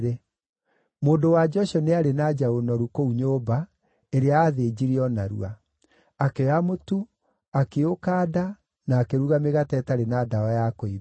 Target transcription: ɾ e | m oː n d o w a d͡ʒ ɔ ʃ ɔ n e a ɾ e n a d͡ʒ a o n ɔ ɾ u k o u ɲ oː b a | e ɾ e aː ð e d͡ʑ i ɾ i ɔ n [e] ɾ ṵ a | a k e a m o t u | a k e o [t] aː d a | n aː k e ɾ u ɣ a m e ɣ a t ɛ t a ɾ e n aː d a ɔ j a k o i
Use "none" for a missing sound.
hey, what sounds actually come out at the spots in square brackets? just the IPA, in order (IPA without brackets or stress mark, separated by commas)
a, k